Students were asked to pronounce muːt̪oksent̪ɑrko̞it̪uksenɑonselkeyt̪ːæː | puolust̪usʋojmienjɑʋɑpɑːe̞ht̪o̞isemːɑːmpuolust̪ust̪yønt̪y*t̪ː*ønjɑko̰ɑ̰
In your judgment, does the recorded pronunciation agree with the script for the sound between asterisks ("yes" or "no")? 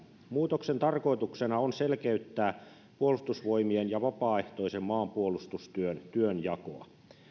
no